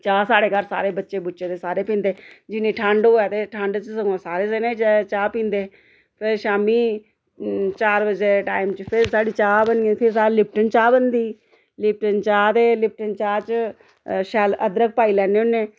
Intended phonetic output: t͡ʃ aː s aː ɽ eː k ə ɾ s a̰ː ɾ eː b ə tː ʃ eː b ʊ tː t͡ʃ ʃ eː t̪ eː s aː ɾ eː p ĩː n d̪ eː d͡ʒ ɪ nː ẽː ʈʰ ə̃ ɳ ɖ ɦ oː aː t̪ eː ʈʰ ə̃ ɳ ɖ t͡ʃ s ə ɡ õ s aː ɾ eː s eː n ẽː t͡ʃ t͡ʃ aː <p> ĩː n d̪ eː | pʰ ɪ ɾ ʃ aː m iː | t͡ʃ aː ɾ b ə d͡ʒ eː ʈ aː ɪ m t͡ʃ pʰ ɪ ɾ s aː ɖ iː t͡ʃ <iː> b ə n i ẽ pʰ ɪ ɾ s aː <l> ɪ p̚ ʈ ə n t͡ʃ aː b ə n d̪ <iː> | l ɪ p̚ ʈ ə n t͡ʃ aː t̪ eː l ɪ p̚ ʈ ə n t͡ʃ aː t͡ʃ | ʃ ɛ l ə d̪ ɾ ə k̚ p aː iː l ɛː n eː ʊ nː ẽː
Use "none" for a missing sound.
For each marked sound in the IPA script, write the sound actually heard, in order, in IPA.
p, aː, l, iː

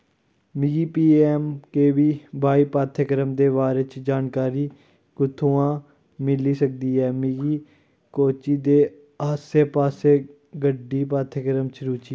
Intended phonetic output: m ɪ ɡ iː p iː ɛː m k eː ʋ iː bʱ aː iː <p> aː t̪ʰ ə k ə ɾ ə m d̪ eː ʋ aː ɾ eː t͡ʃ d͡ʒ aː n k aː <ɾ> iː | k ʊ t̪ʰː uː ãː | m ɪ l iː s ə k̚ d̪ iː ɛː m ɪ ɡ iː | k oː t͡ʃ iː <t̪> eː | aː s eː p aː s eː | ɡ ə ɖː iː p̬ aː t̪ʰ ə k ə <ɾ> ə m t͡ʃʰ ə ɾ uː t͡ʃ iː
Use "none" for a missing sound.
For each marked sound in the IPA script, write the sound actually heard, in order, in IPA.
p, ɾ, d̪, ɾ

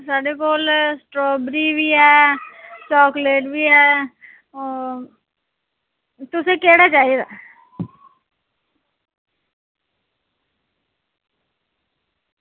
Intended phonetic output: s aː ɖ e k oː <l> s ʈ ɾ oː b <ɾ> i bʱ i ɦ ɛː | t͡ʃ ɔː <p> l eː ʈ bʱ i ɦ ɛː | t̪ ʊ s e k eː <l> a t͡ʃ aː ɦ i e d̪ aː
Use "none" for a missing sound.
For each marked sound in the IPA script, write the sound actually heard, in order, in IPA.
l, ɾ, k, ɽ

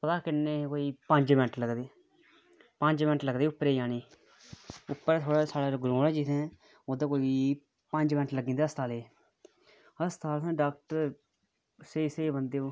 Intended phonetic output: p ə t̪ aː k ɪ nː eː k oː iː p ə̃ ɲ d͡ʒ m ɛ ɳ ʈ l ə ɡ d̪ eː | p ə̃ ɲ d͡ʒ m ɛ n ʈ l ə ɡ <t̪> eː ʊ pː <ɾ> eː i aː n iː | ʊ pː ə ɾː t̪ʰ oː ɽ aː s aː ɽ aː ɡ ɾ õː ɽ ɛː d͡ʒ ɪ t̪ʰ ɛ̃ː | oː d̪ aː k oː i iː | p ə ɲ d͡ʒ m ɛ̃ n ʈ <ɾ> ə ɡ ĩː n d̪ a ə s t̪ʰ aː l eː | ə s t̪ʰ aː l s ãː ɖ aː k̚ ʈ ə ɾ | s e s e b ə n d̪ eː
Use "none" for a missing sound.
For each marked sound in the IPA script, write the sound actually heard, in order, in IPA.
d̪, ɾ, l

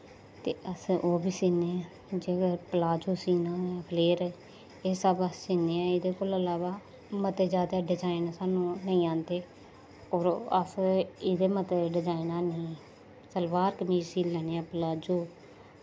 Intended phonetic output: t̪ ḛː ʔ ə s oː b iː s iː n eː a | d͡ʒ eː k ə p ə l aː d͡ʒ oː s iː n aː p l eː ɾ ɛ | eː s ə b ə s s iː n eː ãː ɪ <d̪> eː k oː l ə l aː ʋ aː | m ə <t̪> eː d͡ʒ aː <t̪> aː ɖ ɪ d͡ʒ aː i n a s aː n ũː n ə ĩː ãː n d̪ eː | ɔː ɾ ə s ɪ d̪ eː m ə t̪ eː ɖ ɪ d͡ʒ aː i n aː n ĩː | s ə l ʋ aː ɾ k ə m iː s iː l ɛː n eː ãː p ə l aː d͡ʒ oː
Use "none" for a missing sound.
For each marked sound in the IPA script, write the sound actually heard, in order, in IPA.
d̪, t̪, d̪

